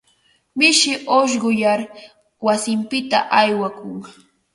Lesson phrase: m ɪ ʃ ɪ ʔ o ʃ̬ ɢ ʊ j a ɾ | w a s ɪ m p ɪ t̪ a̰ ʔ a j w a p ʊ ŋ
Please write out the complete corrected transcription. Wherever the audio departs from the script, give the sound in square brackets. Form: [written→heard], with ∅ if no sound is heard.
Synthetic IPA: m ɪ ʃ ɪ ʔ o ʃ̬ ɢ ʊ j a ɾ | w a s ɪ m p ɪ t̪ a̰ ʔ a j w a [p→k] ʊ ŋ